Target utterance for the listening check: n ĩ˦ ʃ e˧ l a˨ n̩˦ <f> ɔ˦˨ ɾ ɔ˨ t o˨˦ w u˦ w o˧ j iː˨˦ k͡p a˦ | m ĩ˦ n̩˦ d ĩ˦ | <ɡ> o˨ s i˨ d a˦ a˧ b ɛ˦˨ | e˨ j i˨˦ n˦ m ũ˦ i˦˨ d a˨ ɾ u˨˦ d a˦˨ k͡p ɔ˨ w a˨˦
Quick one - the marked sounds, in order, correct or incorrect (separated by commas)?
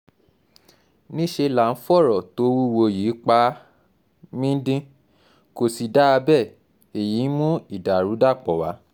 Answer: correct, incorrect